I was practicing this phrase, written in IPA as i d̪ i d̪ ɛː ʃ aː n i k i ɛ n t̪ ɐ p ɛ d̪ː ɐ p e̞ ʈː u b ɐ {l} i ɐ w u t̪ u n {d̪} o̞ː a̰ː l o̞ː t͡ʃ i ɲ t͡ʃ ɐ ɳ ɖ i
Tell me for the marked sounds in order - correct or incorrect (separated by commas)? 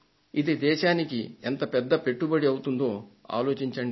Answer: incorrect, correct